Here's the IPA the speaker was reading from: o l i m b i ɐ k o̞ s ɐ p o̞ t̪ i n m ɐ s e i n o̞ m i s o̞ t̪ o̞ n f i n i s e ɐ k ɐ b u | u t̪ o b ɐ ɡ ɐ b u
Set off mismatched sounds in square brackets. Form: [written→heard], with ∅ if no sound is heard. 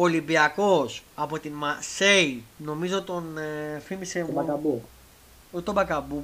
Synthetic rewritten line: o l i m b i ɐ k o̞ s ɐ p o̞ t̪ i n m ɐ s e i n o̞ m i [s→z] o̞ t̪ o̞ n f i [n→m] i s e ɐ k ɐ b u | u t̪ o b ɐ [ɡ→k] ɐ b u